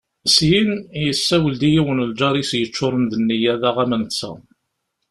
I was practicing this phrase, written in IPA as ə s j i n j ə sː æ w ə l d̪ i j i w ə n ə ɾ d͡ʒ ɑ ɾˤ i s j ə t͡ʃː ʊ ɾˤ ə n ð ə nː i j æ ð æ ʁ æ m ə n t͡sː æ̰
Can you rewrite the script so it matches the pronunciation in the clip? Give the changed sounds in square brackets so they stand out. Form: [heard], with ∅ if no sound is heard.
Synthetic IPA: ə s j i n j ə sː æ w ə l d̪ i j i w ə n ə [l] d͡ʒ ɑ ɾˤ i s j ə t͡ʃː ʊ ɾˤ ə n ð ə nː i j æ ð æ ʁ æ m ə n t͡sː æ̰